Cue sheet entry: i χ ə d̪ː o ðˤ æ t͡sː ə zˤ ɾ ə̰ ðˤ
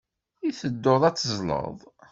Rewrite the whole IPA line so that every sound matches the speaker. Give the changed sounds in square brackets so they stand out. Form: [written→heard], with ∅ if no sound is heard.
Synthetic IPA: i [χ→θ] ə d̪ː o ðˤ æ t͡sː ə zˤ [ɾ→l] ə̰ ðˤ